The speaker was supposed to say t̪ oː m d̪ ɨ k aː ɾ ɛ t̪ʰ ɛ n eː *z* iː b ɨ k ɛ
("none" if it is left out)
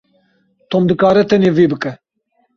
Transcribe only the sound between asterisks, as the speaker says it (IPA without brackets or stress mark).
v